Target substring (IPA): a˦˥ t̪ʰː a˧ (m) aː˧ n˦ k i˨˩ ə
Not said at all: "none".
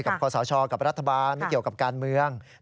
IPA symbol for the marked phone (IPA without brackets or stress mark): b